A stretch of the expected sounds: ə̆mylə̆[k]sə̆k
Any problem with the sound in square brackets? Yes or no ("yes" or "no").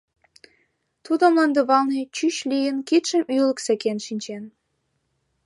no